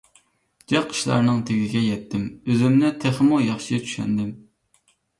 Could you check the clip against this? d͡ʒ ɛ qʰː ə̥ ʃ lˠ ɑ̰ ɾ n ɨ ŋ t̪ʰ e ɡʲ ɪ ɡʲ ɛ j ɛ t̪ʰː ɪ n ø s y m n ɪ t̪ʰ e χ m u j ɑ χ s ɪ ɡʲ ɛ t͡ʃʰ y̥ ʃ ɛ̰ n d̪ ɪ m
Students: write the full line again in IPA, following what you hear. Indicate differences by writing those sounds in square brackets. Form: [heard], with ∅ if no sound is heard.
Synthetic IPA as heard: d͡ʒ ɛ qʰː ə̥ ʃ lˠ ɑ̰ ɾ n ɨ ŋ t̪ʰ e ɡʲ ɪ ɡʲ ɛ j ɛ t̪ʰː ɪ [m] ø [z] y m n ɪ t̪ʰ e χ m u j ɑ χ [ʃ] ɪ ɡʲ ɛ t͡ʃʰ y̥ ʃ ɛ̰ n d̪ ɪ m